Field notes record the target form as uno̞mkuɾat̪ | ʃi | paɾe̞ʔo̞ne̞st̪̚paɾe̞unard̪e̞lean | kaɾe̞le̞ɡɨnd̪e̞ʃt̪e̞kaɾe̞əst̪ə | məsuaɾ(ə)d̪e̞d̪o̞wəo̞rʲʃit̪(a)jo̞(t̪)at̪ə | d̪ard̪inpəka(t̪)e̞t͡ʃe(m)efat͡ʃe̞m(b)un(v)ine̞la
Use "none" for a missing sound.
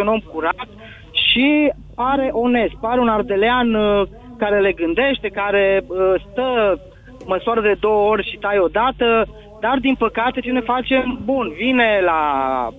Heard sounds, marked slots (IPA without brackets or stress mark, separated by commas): ə, a, d̪, t̪, n, b, v